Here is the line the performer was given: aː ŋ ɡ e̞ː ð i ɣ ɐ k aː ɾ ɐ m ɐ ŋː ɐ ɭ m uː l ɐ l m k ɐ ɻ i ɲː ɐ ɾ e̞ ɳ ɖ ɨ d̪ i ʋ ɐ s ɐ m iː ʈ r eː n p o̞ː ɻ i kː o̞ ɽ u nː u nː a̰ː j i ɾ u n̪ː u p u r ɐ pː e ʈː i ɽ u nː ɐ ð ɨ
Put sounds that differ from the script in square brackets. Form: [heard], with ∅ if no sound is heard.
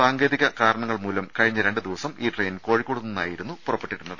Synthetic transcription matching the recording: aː ŋ ɡ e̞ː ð i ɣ ɐ k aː ɾ ɐ [ɳ] ɐ ŋː ɐ ɭ m uː l ɐ [∅] m k ɐ ɻ i ɲː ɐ ɾ e̞ ɳ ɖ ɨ d̪ i ʋ ɐ s ɐ m iː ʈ r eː n [k] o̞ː ɻ i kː o̞ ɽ u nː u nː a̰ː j i ɾ u n̪ː u p u r ɐ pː e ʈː i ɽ u nː ɐ ð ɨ